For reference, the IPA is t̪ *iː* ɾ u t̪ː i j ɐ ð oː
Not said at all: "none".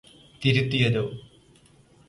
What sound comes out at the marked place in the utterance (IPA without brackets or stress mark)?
i